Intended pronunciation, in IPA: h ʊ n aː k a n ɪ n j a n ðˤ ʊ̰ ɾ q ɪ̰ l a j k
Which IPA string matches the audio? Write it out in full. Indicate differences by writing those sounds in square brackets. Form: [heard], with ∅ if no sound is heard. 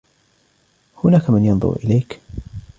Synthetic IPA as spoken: h ʊ n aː k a [m] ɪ n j [ɑ] n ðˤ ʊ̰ ɾ [ʔ] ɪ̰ l a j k